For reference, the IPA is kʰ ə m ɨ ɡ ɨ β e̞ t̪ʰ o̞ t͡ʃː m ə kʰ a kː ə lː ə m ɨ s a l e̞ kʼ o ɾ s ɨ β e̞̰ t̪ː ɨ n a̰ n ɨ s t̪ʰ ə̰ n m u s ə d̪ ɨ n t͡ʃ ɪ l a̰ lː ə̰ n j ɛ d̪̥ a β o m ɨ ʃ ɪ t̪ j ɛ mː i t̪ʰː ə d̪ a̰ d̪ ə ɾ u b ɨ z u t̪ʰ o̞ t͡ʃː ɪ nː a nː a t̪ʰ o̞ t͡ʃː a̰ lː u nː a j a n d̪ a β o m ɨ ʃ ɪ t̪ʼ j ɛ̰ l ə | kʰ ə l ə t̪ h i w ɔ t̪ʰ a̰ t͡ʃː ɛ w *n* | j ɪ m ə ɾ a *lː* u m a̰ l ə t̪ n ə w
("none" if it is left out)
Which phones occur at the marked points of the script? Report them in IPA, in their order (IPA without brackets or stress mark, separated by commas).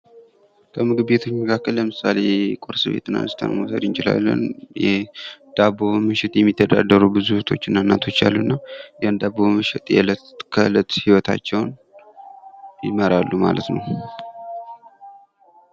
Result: n, lː